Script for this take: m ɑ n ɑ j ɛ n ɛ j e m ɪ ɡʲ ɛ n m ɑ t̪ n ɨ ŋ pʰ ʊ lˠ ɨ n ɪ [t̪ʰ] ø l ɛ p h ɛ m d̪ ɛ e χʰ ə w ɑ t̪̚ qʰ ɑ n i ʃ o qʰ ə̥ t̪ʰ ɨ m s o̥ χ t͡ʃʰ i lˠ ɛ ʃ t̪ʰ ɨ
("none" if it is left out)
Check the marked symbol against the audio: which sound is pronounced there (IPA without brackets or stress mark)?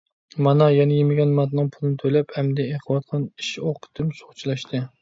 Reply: t̪ʰ